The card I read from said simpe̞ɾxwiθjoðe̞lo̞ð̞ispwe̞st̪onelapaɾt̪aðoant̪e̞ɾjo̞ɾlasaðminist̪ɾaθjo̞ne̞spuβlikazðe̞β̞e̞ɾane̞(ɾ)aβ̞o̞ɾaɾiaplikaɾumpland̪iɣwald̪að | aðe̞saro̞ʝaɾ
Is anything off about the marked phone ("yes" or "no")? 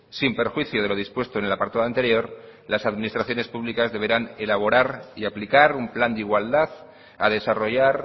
yes